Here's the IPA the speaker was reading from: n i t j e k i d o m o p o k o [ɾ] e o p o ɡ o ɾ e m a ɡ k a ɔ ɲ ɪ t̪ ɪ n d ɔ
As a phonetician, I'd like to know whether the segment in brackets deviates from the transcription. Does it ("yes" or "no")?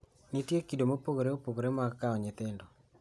no